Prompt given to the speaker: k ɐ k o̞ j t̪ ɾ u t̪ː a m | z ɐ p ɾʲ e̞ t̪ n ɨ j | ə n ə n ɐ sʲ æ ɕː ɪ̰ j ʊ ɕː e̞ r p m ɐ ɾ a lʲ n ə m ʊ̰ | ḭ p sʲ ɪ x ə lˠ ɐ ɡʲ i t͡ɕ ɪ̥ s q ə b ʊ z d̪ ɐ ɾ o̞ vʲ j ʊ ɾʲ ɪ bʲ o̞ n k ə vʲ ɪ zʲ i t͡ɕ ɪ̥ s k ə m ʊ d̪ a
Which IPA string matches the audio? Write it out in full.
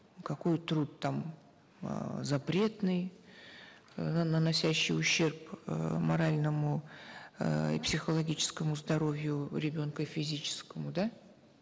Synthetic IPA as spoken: k ɐ k o̞ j t̪ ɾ u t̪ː a m | z ɐ p ɾʲ e̞ t̪ n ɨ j | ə n ə n ɐ sʲ æ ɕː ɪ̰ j ʊ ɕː e̞ r p m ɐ ɾ a lʲ n ə m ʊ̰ | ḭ p sʲ ɪ x ə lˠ ɐ ɡʲ i t͡ɕ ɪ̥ s k ə m ʊ z d̪ ɐ ɾ o̞ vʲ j ʊ ɾʲ ɪ bʲ o̞ n k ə fʲ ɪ zʲ i t͡ɕ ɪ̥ s k ə m ʊ d̪ a